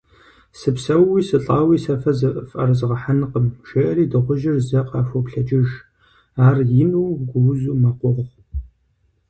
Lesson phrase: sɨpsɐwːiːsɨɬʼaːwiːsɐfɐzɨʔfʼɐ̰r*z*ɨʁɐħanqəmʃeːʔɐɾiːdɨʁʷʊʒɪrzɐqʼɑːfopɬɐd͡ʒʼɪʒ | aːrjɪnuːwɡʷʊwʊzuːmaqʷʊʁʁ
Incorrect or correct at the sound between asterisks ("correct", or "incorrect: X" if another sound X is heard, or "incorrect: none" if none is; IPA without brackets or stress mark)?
correct